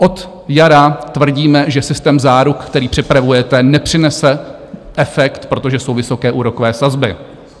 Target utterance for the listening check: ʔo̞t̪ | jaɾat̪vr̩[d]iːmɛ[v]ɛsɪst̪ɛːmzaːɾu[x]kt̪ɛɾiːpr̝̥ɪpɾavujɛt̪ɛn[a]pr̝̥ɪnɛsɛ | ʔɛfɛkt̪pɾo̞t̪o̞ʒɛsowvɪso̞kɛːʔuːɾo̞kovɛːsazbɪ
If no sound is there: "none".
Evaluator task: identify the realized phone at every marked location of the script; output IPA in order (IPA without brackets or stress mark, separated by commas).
ɟ, ʒ, k, ɛ